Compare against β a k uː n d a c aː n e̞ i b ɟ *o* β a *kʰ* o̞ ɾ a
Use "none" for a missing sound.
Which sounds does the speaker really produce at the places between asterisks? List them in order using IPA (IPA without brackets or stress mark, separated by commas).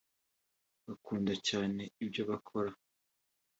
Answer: o, kʰ